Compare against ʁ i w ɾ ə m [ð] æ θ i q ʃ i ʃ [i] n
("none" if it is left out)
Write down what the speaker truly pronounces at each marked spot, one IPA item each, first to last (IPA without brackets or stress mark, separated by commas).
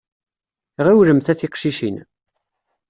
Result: θ, i